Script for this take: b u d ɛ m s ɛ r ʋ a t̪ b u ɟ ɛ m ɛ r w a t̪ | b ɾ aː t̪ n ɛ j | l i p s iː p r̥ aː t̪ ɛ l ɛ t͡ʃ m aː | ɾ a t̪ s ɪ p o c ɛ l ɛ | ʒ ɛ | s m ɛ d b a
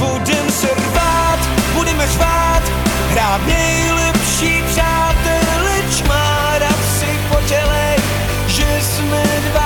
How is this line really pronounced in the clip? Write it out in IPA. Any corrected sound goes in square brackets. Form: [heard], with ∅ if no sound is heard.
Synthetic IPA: b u d ɛ m s ɛ r [v] a t̪ b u [d] ɛ m ɛ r [v] a t̪ | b ɾ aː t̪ n ɛ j | l [ɛ] p [ʃ] iː p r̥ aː t̪ ɛ l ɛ t͡ʃ m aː | ɾ a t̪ s ɪ p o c ɛ l ɛ | ʒ ɛ | s m ɛ d [v] a